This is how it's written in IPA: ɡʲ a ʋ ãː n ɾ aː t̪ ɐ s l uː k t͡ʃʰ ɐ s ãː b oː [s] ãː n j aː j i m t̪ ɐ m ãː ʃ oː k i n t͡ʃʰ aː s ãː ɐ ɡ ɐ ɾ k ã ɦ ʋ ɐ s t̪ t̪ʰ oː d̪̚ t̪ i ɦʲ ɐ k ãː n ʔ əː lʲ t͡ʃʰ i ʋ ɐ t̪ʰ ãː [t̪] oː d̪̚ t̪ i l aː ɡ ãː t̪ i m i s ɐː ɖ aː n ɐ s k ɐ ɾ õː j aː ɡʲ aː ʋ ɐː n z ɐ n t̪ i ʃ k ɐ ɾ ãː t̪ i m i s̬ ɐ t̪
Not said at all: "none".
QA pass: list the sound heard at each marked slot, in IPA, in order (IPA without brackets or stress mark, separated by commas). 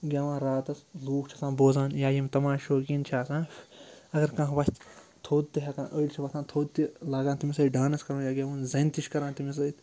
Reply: z, t̪ʰ